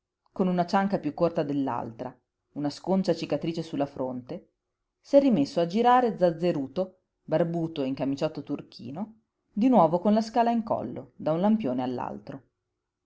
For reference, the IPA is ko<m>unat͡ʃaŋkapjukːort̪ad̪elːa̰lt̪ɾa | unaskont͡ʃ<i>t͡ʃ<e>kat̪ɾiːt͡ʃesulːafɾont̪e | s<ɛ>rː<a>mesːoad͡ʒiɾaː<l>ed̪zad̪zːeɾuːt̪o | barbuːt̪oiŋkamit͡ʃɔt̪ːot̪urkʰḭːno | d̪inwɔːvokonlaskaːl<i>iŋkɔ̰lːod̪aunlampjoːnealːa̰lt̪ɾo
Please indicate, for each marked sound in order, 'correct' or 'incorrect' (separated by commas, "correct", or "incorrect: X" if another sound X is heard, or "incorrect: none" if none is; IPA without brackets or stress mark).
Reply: incorrect: n, incorrect: a, incorrect: i, correct, incorrect: i, incorrect: ɾ, incorrect: a